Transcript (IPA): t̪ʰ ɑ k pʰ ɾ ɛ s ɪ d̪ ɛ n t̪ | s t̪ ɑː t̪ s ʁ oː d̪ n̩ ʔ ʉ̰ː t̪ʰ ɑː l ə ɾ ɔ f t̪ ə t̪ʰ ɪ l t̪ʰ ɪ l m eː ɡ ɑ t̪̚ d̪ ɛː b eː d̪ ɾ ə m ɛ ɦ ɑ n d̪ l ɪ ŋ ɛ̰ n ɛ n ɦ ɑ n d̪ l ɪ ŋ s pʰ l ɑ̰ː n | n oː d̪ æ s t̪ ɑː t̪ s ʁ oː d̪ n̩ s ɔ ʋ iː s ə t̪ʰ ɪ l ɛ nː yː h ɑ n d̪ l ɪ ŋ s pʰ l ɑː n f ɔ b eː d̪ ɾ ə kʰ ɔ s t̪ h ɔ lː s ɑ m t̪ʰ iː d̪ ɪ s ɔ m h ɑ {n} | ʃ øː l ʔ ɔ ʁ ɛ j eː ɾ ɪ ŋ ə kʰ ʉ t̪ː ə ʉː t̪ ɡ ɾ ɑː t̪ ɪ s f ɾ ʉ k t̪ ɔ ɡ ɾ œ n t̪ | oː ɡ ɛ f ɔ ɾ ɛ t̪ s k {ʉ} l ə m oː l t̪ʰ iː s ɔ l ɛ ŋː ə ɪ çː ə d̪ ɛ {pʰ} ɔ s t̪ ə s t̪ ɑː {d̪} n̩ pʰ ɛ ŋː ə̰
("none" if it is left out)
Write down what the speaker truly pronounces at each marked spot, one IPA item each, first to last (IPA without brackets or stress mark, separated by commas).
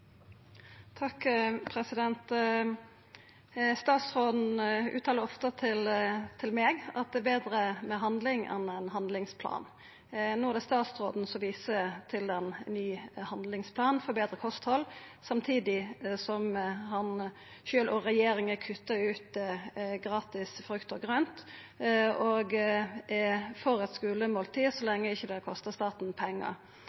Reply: n, ʉː, kʰ, t̪